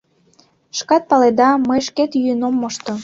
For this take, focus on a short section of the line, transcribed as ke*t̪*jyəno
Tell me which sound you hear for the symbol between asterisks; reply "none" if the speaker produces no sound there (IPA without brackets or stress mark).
t̪